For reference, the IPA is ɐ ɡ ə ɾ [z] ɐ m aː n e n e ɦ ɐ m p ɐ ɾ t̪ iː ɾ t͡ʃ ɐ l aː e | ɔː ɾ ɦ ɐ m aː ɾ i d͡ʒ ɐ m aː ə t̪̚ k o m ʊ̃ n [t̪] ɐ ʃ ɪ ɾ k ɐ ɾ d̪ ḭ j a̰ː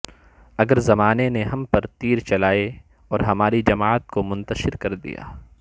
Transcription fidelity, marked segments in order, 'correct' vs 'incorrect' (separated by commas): correct, correct